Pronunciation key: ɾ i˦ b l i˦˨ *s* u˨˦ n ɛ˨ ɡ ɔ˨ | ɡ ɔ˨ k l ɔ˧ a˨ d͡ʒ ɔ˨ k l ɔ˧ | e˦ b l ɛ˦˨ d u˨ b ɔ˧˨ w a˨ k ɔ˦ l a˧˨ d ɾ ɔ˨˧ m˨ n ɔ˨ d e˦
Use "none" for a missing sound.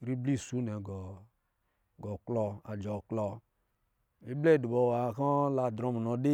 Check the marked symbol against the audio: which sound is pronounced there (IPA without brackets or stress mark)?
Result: s